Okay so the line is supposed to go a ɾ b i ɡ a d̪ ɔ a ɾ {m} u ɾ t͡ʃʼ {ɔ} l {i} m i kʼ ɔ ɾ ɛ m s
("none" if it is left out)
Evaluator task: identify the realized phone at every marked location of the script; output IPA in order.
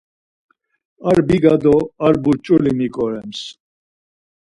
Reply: b, u, i

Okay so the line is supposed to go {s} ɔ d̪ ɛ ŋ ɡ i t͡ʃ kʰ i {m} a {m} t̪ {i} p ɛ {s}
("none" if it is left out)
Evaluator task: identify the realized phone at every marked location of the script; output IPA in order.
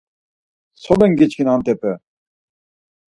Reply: s, n, n, ɛ, none

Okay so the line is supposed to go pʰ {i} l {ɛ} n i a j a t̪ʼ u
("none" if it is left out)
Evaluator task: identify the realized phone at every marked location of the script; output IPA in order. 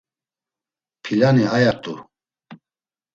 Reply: i, a

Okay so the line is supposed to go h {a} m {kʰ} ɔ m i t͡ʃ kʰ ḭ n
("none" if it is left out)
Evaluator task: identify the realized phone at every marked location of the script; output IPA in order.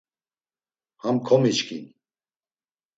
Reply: a, kʰ

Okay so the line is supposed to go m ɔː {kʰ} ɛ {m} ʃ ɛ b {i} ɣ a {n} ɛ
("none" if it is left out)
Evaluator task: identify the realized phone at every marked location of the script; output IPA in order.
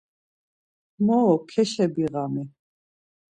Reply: kʰ, none, i, m

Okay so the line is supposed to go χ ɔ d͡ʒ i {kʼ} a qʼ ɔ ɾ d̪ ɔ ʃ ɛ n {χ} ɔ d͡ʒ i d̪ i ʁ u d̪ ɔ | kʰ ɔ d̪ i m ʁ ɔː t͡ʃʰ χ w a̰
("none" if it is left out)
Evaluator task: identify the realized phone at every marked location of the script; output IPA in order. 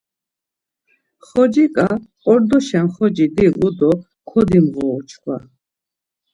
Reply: kʼ, χ

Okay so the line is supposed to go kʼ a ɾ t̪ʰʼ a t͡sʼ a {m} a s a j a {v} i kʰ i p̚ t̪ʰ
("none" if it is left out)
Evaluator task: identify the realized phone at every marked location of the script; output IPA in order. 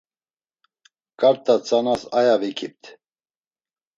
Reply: n, v

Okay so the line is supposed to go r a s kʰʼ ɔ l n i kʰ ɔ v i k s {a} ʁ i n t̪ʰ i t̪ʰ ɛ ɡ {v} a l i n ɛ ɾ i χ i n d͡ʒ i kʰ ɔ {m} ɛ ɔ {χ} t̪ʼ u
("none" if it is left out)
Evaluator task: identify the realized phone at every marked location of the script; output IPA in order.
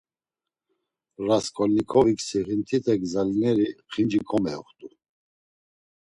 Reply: i, z, m, χ

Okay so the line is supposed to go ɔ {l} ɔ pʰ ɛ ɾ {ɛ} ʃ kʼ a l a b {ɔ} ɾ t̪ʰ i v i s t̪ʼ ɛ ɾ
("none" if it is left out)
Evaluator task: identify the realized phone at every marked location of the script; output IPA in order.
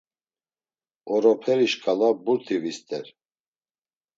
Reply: ɾ, i, u

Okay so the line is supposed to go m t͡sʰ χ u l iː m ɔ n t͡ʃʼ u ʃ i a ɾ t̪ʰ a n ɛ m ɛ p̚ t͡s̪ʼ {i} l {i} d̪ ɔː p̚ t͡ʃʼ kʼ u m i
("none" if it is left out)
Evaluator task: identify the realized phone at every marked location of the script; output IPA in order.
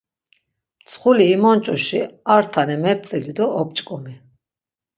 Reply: i, i

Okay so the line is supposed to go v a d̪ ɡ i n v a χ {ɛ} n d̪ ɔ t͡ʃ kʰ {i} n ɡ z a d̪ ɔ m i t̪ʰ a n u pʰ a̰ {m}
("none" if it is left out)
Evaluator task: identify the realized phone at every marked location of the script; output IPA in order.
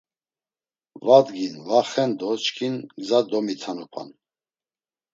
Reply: ɛ, i, n

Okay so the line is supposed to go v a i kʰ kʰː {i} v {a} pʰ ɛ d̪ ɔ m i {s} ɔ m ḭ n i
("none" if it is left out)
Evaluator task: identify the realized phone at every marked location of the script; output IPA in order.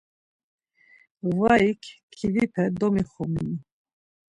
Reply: i, i, χ

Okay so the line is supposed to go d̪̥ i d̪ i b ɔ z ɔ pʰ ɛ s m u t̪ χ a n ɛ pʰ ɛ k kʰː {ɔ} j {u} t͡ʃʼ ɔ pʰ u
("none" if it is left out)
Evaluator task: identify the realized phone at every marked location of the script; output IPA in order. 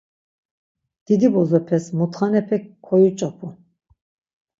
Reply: ɔ, u

